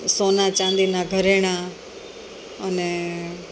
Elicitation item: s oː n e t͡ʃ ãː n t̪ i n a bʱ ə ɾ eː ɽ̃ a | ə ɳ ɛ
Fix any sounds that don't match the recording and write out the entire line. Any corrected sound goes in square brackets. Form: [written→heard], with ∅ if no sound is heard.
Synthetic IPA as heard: s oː n [e→a] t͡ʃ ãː n [t̪→d̪] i n a [bʱ→ɡʱ] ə ɾ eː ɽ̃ a | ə [ɳ→n] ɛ

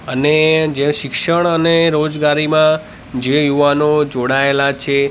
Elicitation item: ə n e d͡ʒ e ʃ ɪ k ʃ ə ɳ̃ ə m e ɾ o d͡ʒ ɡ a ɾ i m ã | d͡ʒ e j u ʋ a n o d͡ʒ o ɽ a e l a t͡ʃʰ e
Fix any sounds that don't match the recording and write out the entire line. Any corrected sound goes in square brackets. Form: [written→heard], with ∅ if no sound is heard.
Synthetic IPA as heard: ə n e d͡ʒ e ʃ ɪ k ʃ ə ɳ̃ ə [m→n] e ɾ o d͡ʒ ɡ a ɾ i m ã | d͡ʒ e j u ʋ a n o d͡ʒ o ɽ a e l a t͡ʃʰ e

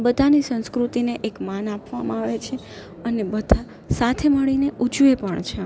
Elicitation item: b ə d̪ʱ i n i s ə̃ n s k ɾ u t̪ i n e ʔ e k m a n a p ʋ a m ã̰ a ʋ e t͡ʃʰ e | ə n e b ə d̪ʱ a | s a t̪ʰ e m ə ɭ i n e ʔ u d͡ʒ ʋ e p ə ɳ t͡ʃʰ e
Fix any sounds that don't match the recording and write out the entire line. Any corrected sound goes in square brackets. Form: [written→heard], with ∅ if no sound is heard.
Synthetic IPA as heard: b ə d̪ʱ [i→a] n i s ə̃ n s k ɾ u t̪ i n e ʔ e k m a n a p ʋ a m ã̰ a ʋ e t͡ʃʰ e | ə n e b ə d̪ʱ a | s a t̪ʰ e m ə ɭ i n e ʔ u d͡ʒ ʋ e p ə ɳ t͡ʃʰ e

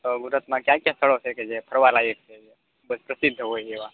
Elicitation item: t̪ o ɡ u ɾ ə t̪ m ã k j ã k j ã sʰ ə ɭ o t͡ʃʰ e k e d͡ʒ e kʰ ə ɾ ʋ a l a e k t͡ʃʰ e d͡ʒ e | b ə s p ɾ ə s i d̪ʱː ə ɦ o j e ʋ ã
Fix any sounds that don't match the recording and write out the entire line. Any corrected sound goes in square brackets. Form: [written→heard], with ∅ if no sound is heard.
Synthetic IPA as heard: t̪ o ɡ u ɾ ə t̪ m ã k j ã k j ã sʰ ə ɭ o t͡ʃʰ e k e d͡ʒ e [kʰ→pʰ] ə ɾ ʋ a l a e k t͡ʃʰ e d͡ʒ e | b ə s p ɾ ə s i d̪ʱː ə ɦ o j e ʋ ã

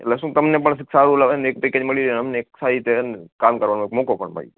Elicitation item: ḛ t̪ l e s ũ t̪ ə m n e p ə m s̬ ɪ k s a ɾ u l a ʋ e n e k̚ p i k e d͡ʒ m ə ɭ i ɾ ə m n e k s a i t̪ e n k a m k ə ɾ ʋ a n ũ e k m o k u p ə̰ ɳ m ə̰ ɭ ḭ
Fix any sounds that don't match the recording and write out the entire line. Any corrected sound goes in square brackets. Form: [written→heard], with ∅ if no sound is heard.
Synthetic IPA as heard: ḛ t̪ l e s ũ t̪ ə m n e p ə [m→ɳ] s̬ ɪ k s a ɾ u l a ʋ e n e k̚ p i k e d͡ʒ m ə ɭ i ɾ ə m n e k s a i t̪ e n k a m k ə ɾ ʋ a n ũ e k m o k [u→o] p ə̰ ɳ m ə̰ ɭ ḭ

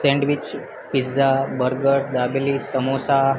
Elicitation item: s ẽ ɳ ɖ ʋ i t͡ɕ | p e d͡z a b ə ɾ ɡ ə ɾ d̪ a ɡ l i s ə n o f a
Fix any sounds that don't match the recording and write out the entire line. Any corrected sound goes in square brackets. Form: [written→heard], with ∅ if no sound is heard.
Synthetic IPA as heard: s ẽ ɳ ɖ ʋ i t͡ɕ | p [e→i] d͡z a b ə ɾ ɡ ə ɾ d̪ a [ɡ→b] l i s ə [n→m] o [f→s] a

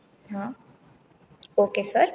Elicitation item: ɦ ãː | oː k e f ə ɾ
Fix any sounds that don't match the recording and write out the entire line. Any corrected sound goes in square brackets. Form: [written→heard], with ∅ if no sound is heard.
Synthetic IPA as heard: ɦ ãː | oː k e [f→s] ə ɾ

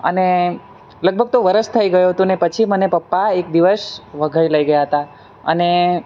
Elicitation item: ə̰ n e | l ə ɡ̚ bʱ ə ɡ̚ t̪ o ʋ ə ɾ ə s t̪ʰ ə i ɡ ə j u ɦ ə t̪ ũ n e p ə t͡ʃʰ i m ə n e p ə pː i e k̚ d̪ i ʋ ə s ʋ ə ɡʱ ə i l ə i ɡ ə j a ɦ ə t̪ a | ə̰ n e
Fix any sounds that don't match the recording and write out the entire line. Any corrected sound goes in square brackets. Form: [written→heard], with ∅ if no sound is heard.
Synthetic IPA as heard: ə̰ n e | l ə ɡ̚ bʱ ə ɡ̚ t̪ o ʋ ə ɾ ə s t̪ʰ ə i ɡ ə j u ɦ ə t̪ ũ n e p ə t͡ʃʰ i m ə n e p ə pː [i→a] e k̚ d̪ i ʋ ə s ʋ ə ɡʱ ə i l ə i ɡ ə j a ɦ ə t̪ a | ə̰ n e

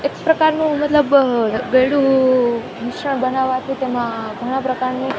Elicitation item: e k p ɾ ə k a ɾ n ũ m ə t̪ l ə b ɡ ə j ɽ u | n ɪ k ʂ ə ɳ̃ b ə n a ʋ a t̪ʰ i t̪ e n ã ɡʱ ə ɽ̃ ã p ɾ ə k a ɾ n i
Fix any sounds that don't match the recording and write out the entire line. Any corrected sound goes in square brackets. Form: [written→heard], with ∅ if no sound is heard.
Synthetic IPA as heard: e k p ɾ ə k a ɾ n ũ m ə t̪ l ə b ɡ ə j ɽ u | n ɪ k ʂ ə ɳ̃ b ə n a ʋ a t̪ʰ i t̪ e [n→m] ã ɡʱ ə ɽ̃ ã p ɾ ə k a ɾ n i

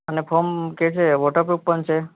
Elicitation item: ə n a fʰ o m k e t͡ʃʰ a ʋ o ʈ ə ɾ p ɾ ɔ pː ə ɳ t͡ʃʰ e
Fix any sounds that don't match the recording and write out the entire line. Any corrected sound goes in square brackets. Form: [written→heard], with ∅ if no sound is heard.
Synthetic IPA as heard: ə n [a→e] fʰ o m k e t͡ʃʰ [a→e] ʋ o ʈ ə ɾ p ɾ [ɔ→u] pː ə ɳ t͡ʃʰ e

